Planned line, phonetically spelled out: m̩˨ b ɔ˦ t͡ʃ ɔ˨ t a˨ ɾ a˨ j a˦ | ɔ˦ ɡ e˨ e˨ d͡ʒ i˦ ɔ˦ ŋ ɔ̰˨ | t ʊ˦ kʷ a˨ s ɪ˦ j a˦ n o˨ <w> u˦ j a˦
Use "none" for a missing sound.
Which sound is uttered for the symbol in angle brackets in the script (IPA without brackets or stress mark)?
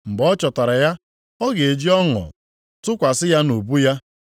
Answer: b